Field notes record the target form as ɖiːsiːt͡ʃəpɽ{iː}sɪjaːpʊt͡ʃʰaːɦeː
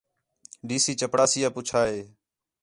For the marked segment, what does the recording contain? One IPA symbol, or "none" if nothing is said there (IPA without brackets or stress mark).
aː